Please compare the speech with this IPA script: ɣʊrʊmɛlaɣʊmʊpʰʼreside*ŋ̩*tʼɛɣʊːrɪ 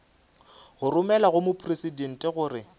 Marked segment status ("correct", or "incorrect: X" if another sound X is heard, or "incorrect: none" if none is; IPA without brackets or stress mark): incorrect: n̩